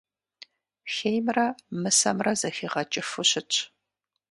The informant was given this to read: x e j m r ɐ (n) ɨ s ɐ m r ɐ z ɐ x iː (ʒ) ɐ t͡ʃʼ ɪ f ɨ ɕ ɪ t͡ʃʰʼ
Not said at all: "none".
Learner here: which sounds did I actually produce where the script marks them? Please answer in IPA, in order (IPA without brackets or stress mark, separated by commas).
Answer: m, ʁ